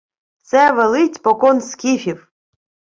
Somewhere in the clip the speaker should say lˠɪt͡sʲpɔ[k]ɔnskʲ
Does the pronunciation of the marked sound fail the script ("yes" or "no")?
no